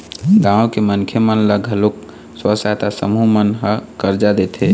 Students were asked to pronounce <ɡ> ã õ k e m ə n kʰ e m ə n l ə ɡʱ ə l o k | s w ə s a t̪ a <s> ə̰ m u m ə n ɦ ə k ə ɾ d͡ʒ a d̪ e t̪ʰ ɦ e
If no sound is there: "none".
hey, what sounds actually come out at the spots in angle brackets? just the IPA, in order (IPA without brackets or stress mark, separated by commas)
ɡ, s